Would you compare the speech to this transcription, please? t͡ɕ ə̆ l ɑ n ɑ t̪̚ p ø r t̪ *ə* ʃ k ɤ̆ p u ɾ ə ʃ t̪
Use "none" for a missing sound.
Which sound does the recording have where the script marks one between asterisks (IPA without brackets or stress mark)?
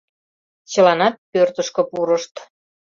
ə